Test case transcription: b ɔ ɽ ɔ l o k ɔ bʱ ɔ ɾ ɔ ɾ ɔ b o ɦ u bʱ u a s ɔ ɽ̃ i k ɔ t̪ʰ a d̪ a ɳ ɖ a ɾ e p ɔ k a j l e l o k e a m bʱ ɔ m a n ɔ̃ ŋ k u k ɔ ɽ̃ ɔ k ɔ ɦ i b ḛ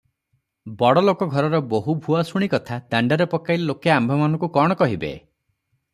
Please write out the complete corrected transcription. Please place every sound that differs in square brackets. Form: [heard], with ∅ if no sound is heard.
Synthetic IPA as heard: b ɔ ɽ ɔ l o k ɔ [ɡʱ] ɔ ɾ ɔ ɾ ɔ b o ɦ u bʱ u a s [u] ɽ̃ i k ɔ t̪ʰ a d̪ a ɳ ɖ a ɾ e p ɔ k a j l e l o k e a m bʱ ɔ m a n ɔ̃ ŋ k u k ɔ ɽ̃ ɔ k ɔ ɦ i b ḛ